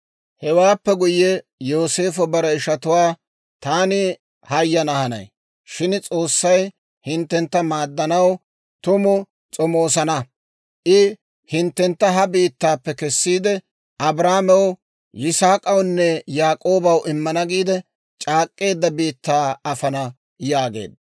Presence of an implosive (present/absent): absent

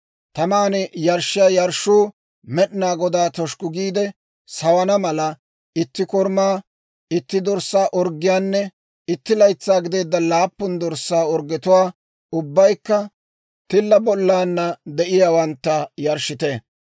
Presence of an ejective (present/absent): absent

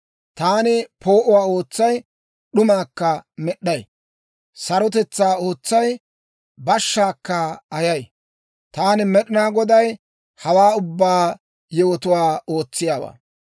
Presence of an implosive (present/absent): present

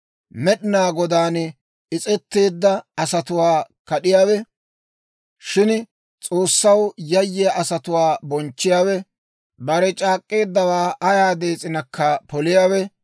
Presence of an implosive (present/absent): present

